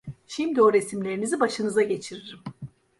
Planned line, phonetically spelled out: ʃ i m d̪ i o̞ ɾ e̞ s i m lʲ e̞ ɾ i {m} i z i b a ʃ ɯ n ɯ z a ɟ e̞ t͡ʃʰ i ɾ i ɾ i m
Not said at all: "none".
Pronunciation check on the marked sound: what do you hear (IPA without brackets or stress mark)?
n